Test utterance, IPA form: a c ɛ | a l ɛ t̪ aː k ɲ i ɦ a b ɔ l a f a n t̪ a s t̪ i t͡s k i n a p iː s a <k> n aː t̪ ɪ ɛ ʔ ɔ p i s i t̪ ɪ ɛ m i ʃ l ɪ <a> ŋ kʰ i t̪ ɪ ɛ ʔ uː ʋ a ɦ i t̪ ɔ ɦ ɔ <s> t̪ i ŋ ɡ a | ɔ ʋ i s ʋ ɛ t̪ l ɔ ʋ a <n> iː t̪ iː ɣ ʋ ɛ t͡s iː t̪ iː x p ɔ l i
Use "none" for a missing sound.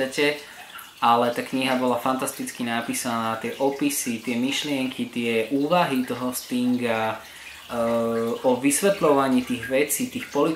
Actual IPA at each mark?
none, ɛ, s, ɲ

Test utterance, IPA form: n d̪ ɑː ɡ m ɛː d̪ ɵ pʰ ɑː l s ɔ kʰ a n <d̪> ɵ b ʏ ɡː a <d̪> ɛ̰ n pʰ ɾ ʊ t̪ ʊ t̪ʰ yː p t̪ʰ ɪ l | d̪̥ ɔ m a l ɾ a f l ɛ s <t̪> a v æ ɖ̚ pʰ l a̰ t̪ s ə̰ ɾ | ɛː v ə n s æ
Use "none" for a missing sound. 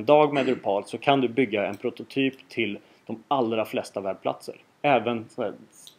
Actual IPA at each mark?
d̪, none, t̪

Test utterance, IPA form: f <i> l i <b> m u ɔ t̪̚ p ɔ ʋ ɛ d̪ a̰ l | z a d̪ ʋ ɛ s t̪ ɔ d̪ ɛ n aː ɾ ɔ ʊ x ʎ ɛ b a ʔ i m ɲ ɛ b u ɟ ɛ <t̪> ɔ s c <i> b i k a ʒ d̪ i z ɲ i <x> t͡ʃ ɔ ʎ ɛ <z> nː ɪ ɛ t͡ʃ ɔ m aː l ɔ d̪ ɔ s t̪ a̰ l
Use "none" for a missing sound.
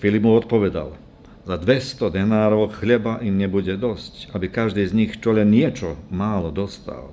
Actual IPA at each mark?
i, b, d̪, a, x, none

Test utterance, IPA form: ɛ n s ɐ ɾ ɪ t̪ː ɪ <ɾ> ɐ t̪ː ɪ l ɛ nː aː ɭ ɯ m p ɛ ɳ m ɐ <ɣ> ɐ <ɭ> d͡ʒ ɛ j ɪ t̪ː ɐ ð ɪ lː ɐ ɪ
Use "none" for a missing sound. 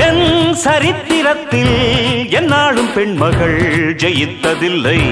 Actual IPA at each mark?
ɾ, ɣ, ɭ

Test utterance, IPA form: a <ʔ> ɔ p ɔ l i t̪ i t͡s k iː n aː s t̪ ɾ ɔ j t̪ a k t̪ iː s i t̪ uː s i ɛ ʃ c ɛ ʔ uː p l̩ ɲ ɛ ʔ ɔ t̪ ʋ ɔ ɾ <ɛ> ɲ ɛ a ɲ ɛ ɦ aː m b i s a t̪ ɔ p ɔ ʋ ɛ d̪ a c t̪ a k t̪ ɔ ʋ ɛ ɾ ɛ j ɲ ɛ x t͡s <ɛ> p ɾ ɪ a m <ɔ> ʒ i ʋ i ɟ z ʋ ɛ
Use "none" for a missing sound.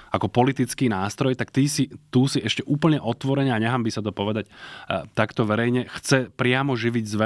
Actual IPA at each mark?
k, ɛ, ɛ, ɔ

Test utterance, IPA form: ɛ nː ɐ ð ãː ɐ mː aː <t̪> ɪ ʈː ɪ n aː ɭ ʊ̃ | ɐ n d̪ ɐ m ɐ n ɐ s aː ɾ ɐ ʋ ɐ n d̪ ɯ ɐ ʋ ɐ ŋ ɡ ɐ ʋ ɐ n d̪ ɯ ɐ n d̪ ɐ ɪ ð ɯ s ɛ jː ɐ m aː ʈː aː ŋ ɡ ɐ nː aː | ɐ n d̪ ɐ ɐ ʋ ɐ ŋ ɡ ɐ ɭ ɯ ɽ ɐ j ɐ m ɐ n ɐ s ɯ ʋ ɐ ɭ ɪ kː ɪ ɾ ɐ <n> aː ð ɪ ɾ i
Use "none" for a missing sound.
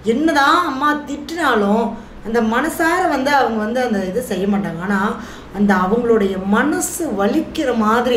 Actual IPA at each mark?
t̪, m

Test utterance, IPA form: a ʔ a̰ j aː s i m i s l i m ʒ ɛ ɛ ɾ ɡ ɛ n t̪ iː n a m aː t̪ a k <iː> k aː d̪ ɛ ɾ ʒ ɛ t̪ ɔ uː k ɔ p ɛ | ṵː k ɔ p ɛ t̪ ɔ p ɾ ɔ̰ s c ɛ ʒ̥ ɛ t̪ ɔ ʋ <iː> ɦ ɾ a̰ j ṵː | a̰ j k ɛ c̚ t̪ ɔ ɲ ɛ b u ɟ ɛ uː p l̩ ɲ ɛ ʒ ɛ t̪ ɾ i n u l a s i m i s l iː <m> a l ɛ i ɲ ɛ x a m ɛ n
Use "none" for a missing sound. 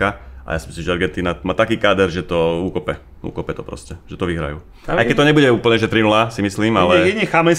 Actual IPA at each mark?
iː, i, m

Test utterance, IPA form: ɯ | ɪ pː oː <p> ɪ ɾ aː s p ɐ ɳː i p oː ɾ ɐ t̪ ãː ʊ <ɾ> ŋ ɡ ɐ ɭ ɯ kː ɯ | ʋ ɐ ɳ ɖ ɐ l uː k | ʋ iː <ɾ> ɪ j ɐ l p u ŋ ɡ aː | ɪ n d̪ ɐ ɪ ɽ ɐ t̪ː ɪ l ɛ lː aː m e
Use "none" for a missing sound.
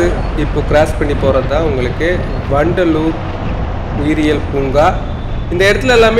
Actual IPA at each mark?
k, none, ɾ

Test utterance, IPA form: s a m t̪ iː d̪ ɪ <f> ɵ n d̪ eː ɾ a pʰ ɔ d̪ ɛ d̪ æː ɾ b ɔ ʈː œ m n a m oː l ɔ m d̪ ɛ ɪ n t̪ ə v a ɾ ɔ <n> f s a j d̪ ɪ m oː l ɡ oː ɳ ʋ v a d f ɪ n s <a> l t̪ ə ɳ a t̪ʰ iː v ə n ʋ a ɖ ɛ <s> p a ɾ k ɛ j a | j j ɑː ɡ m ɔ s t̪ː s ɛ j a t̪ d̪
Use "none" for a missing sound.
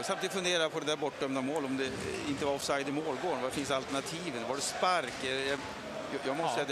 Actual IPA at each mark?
f, none, a, s

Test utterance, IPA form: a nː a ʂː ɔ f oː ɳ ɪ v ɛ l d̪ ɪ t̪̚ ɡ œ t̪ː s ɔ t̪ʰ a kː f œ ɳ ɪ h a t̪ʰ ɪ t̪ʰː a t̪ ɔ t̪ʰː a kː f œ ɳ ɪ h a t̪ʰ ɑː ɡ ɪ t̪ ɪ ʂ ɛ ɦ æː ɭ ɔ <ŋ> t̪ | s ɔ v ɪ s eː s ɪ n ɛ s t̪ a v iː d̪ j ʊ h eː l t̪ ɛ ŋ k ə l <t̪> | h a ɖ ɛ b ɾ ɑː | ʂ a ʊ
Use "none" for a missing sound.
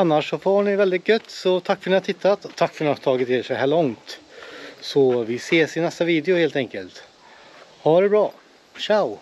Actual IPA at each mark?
ŋ, t̪

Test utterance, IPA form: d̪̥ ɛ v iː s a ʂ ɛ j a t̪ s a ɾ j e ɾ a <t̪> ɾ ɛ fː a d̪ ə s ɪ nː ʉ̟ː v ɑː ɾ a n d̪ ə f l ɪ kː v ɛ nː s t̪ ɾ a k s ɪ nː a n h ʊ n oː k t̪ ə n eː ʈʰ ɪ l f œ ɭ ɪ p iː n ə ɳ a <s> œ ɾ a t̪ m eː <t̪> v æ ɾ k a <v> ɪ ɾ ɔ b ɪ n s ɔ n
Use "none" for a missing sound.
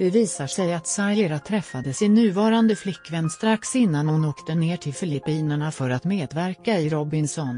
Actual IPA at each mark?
t̪ʰ, f, d̪, none

